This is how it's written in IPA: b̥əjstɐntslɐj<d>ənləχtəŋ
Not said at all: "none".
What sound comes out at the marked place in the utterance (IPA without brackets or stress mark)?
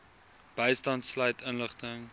t